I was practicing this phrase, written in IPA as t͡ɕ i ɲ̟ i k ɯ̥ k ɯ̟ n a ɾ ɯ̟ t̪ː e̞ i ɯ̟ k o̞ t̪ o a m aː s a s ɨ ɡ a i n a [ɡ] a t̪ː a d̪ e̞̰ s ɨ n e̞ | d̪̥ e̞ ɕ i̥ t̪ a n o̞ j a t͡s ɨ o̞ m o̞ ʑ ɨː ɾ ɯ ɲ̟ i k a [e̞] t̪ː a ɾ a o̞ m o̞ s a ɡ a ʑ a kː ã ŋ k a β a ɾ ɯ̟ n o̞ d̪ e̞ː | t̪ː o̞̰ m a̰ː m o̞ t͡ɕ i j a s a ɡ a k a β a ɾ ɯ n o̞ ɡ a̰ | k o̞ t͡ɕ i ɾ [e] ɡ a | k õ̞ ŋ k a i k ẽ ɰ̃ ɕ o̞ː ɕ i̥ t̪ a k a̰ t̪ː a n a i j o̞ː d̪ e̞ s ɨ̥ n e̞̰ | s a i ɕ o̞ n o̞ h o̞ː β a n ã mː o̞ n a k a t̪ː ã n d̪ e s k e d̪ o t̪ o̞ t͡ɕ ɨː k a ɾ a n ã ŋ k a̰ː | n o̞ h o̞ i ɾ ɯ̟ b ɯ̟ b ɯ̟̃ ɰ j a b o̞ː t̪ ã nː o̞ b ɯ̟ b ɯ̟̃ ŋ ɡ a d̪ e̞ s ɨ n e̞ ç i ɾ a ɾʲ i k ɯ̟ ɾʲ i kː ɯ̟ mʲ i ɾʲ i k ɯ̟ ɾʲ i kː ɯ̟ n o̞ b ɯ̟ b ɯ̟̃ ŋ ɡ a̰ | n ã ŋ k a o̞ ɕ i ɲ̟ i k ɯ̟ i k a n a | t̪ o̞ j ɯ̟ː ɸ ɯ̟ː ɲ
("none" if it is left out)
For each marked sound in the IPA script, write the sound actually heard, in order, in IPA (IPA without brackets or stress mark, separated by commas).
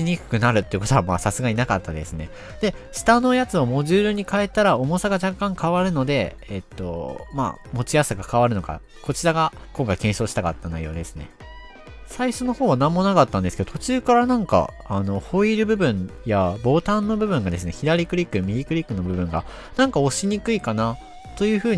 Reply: k, e̞, a